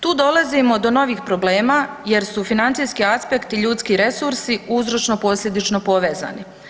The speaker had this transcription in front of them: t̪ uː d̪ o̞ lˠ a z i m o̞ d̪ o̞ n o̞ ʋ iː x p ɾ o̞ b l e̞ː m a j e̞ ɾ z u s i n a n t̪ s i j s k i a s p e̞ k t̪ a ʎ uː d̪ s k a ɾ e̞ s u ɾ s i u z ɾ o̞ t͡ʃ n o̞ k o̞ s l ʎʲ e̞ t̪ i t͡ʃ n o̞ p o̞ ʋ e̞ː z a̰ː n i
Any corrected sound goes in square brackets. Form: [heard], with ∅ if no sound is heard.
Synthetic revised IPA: t̪ uː d̪ o̞ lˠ a z i m o̞ d̪ o̞ n o̞ ʋ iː x p ɾ o̞ b l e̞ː m a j e̞ ɾ [s] u [f] i n a n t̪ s i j s k i a s p e̞ k t̪ [i] ʎ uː [t̪] s k [i] ɾ e̞ s u ɾ s i u z ɾ o̞ t͡ʃ n o̞ [p] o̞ s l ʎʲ e̞ [d̪] i t͡ʃ n o̞ p o̞ ʋ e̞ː z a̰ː n i